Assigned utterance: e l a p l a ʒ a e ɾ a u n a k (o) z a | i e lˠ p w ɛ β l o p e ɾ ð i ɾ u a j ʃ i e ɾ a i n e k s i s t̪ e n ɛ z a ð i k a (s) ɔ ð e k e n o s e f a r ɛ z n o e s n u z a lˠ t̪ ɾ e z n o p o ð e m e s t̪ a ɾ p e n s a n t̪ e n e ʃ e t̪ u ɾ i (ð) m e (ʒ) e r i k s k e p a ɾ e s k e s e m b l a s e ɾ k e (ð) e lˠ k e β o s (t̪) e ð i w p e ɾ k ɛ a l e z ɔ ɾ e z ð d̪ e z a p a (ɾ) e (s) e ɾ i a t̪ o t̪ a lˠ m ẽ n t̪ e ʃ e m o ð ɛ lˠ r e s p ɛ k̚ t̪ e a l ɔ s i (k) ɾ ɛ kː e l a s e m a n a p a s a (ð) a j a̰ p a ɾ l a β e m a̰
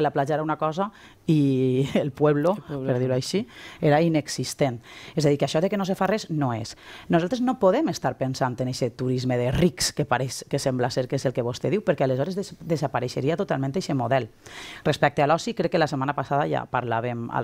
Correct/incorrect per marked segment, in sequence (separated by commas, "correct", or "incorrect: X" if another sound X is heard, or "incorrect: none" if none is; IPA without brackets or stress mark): incorrect: ɔ, incorrect: ʃ, incorrect: z, incorrect: ð, incorrect: z, correct, correct, incorrect: ʃ, correct, correct